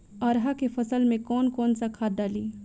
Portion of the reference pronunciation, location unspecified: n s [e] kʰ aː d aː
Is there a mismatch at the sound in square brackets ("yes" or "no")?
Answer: yes